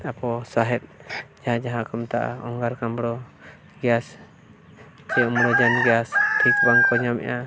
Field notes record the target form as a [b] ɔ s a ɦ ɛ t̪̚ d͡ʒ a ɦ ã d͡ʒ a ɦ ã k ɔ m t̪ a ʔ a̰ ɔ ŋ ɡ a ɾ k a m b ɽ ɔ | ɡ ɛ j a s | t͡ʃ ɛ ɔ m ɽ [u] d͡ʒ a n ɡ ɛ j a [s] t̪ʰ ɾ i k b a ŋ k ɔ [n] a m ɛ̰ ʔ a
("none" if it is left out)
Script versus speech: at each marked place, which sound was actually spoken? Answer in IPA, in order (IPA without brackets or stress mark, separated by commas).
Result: p, ɔ, s, ɲ